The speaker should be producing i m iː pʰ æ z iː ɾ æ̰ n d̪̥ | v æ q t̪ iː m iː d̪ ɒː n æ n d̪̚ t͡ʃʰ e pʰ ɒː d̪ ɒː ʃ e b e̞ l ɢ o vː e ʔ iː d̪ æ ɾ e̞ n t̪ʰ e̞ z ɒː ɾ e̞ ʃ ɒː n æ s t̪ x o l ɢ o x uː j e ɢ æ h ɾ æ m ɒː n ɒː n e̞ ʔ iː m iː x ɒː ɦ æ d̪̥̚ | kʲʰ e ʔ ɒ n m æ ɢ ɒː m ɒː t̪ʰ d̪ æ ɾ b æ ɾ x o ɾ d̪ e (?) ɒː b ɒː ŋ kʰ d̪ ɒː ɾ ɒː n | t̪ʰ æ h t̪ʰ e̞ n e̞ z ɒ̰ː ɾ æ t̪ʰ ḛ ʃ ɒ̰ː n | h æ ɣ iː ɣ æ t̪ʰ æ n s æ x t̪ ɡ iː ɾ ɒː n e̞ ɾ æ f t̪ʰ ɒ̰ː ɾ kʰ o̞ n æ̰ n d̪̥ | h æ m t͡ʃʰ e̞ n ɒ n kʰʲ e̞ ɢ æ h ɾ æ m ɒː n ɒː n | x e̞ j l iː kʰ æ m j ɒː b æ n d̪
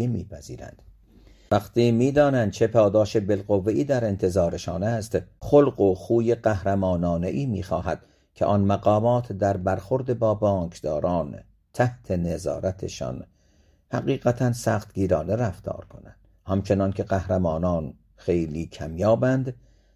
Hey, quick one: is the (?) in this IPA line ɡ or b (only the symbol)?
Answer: b